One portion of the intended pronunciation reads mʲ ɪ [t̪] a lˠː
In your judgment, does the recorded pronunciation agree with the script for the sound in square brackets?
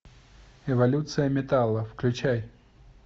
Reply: yes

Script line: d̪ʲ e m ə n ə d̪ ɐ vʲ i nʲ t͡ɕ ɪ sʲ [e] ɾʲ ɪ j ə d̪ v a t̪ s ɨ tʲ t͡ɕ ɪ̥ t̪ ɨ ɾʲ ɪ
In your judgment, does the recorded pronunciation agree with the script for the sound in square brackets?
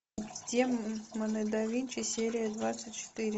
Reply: yes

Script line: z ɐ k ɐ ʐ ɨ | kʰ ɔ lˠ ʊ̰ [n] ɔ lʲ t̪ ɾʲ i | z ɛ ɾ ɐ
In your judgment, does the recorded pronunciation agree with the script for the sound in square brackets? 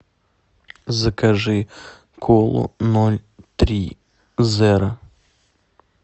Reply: yes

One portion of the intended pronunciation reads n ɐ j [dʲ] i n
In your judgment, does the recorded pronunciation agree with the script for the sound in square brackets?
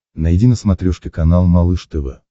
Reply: yes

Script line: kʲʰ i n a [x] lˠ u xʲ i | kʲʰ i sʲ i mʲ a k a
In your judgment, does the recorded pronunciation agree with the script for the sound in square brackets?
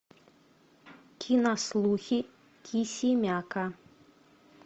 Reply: no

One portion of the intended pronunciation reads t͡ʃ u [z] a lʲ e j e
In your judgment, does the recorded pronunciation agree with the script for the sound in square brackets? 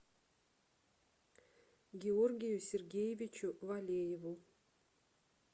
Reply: no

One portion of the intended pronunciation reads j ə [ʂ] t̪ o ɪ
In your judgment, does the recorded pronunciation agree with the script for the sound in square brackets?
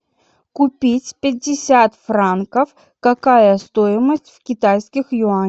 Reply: no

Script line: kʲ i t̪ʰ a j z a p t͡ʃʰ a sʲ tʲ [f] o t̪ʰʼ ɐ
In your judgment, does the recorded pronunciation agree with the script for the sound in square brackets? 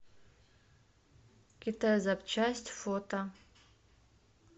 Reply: yes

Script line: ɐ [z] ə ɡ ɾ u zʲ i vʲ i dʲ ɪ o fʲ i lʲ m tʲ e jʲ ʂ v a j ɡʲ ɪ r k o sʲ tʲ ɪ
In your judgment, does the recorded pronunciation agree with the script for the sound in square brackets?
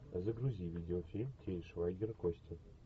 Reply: yes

